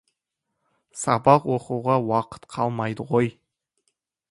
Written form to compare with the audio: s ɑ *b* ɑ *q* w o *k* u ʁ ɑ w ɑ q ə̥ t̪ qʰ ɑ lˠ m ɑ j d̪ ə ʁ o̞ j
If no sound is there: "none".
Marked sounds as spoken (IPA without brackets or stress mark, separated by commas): b, q, q